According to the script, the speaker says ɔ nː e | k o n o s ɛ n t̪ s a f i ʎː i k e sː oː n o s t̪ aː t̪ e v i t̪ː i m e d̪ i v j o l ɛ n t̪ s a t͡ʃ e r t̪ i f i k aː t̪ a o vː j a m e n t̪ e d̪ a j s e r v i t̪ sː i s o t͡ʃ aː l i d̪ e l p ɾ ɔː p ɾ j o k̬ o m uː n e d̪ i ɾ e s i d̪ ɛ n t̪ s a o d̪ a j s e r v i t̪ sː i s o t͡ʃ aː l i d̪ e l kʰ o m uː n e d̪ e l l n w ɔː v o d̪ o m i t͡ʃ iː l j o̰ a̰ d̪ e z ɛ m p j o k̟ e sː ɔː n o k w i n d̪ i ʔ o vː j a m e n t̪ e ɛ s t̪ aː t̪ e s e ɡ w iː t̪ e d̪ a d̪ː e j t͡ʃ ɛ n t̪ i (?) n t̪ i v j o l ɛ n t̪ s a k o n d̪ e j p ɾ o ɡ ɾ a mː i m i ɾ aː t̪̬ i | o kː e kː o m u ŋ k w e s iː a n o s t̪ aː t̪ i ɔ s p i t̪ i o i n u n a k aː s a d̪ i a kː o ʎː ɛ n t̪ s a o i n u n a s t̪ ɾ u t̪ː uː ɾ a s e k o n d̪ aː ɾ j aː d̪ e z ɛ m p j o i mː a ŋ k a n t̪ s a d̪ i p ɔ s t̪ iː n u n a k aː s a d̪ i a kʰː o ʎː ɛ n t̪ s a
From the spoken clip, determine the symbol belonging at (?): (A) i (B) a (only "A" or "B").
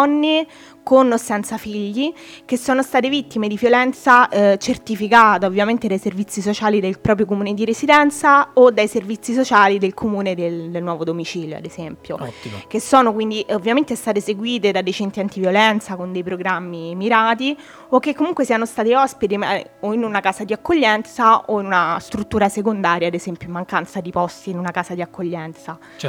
B